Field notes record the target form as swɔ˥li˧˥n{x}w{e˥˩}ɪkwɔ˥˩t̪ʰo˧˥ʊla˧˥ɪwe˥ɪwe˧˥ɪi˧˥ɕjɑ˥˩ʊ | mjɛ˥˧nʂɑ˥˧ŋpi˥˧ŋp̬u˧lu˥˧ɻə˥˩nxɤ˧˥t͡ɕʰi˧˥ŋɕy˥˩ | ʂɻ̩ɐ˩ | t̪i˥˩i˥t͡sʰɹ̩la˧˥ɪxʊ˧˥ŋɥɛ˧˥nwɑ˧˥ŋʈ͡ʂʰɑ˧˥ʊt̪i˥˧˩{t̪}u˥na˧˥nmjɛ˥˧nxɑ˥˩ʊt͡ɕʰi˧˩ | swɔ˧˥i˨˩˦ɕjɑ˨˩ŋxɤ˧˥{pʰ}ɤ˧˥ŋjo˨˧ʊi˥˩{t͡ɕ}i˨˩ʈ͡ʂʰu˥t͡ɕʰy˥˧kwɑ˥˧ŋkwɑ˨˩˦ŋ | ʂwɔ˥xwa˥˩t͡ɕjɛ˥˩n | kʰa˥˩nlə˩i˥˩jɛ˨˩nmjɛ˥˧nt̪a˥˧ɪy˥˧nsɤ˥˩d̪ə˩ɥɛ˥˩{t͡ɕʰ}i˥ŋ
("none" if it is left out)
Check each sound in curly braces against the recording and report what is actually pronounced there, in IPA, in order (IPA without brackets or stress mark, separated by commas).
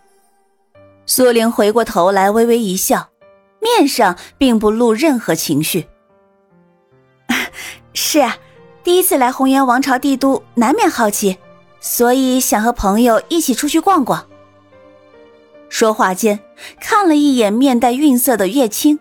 x, e˧˥, t̪, pʰ, t͡ɕʰ, t͡ɕʰ